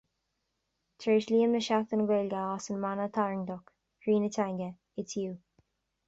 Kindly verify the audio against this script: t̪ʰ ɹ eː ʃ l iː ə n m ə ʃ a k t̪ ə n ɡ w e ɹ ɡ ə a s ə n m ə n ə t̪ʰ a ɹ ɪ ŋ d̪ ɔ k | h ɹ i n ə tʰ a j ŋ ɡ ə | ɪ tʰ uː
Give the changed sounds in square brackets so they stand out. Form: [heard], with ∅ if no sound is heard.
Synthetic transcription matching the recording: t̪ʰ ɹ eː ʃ l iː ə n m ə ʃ a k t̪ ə n ɡ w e [l] ɡ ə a s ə n m [a] n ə t̪ʰ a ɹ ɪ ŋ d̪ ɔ k | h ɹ [iː] n ə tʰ a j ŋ ɡ ə | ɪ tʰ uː